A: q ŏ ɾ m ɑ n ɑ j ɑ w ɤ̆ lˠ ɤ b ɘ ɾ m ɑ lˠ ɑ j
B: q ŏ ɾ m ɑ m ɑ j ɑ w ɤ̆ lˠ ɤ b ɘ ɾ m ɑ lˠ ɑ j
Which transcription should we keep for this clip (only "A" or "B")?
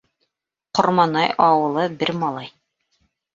A